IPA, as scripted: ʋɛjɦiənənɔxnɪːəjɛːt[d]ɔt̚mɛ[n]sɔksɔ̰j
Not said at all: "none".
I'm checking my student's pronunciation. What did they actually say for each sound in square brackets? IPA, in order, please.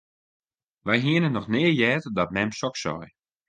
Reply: d, m

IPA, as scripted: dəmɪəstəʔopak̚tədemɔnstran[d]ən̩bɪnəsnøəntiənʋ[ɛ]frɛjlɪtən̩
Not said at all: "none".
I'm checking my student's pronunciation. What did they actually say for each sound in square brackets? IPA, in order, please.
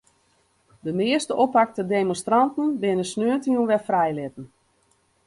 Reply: t, ɛ

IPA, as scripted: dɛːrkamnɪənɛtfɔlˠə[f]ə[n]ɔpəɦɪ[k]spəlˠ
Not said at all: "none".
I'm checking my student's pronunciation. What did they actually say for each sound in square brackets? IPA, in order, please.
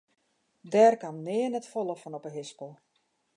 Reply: f, n, none

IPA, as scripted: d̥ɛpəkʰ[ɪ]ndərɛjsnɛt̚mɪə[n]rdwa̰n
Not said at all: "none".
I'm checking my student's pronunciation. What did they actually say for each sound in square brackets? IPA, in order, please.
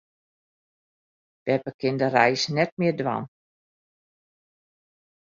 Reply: ɪ, none

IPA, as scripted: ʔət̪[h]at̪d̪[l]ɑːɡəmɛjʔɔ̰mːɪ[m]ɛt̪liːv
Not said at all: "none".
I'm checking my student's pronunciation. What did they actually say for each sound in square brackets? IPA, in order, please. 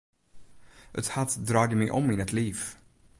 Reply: h, ɾ, n

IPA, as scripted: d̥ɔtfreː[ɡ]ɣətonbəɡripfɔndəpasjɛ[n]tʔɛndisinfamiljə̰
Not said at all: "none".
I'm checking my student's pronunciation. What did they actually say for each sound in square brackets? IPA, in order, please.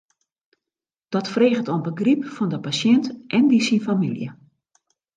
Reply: none, n

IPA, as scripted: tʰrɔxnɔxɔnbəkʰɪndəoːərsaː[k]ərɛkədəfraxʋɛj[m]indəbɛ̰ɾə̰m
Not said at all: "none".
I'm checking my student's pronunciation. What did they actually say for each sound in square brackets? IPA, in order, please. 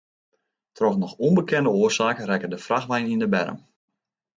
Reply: k, n

